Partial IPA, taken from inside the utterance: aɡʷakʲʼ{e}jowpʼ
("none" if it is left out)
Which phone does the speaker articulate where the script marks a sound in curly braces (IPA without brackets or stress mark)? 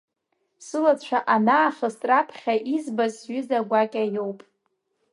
a